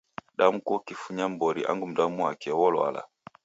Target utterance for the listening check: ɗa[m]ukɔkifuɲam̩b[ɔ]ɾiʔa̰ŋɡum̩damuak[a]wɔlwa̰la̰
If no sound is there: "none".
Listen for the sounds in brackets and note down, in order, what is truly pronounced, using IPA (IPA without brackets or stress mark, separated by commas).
m, ɔ, ɛ